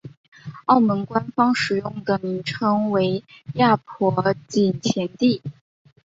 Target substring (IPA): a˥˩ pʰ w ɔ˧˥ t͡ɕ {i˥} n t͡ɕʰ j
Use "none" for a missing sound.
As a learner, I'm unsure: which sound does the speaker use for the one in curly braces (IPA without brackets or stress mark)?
i˨˩